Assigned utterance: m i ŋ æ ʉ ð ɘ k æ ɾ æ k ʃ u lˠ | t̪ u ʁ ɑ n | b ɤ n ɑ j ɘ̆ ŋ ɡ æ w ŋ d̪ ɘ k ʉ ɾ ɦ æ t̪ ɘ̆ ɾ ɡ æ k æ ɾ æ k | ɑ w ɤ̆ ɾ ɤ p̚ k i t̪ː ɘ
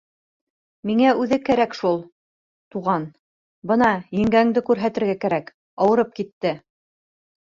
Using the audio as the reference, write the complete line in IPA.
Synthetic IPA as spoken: m i ŋ æ ʉ ð ɘ k æ ɾ æ k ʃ u lˠ | t̪ u ʁ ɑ n | b ɤ n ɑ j ɘ̆ ŋ ɡ æ ŋ d̪ ɘ k ʉ ɾ ɦ æ t̪ ɘ̆ ɾ ɡ æ k æ ɾ æ k | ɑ w ɤ̆ ɾ ɤ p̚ k i t̪ː ɘ